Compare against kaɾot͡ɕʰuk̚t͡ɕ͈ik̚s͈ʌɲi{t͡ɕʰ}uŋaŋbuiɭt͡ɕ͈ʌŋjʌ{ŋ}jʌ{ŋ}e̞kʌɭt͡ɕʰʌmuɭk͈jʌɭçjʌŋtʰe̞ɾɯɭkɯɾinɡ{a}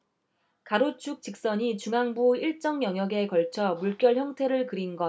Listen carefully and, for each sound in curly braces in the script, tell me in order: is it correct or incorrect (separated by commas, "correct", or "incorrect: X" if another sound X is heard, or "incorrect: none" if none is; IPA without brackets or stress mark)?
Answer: incorrect: t͡ɕ, correct, incorrect: ɡ, incorrect: ʌ